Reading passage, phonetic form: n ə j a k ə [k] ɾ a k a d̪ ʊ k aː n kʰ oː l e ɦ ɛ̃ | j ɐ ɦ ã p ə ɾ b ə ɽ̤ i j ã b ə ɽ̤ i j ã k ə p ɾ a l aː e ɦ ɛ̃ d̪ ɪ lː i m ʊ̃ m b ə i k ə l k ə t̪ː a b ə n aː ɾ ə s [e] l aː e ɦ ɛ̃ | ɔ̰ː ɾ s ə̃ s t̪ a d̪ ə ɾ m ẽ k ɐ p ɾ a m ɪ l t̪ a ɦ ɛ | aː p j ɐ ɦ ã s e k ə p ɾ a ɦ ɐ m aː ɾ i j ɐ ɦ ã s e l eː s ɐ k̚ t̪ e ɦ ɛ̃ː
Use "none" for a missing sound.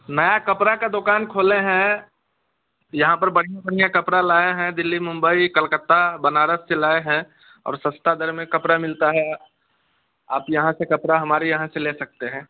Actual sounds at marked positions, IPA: p, e

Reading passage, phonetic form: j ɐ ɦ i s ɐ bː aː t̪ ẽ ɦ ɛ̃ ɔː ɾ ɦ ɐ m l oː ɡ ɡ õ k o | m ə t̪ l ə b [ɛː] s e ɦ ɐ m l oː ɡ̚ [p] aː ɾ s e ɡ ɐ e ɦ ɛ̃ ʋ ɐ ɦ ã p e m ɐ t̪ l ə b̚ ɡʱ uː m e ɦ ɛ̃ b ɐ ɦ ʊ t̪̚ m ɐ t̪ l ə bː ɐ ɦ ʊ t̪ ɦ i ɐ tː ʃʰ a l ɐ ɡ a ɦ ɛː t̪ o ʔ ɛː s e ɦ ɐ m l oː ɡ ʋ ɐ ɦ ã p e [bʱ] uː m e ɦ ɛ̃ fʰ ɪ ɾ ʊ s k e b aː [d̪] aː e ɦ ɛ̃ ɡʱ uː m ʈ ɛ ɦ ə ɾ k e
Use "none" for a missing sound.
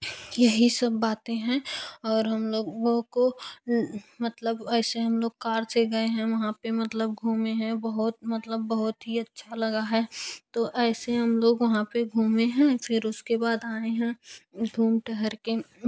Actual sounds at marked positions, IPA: ɛː, k, ɡʱ, d̪

